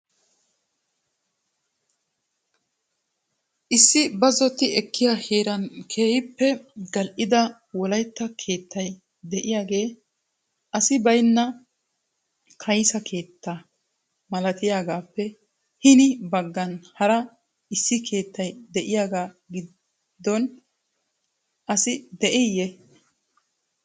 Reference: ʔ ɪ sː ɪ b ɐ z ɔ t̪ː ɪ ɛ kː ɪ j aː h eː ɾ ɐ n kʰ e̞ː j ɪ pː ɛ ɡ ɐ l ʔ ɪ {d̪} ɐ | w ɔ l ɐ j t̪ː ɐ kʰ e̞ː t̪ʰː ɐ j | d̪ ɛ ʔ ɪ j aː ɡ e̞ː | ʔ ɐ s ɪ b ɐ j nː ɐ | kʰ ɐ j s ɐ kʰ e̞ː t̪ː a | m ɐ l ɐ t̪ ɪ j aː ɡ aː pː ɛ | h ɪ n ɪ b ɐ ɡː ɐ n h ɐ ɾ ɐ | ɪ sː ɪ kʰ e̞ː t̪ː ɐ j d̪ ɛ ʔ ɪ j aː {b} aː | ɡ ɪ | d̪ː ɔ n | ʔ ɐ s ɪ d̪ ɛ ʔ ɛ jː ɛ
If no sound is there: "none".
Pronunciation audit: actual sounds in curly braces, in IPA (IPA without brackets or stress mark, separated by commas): d̪, ɡ